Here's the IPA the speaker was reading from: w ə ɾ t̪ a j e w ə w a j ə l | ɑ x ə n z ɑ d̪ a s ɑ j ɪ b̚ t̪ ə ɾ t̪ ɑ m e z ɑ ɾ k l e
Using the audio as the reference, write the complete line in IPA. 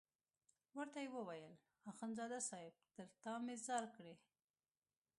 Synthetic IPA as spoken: w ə ɾ t̪ a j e w ə w a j ə l | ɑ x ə n z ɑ d̪ a s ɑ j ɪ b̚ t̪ ə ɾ t̪ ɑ m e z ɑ ɾ k ɽ e